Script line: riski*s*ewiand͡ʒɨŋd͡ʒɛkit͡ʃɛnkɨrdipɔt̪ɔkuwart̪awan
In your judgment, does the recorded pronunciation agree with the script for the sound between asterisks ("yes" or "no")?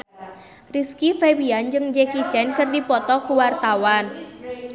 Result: no